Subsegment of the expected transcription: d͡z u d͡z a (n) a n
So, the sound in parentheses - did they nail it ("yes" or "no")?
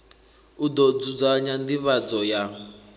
no